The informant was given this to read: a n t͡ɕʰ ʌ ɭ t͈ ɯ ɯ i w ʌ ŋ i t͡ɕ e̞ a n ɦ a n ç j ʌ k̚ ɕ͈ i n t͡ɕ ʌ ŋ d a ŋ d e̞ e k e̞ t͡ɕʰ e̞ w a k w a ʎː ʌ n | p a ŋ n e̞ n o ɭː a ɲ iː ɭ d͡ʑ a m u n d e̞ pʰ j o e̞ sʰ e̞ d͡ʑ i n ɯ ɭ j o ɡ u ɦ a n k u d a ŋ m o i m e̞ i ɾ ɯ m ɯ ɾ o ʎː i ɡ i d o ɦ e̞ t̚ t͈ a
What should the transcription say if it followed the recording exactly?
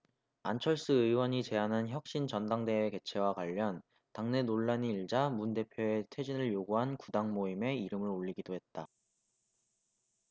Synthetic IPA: a n t͡ɕʰ ʌ ɭ s͈ ɯ ɯ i w ʌ ɲ i t͡ɕ e̞ a n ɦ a n ç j ʌ k̚ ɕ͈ i n t͡ɕ ʌ n d a ŋ d e̞ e k e̞ t͡ɕʰ e̞ w a k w a ʎː ʌ n | t a ŋ n e̞ n o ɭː a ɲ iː ɭ d͡ʑ a m u n d e̞ pʰ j o e̞ tʰ e̞ d͡ʑ i n ɯ ɭ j o ɡ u ɦ a n k u d a ŋ m o i m e̞ i ɾ ɯ m ɯ ɾ o ʎː i ɡ i d o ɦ e̞ t̚ t͈ a